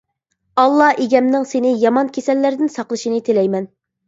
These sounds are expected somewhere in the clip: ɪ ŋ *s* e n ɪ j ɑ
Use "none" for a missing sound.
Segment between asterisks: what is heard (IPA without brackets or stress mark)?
s